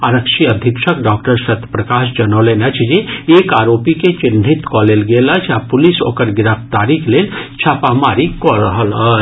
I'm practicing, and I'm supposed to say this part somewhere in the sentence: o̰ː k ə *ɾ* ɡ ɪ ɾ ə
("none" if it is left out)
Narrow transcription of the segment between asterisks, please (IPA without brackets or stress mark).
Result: ɾ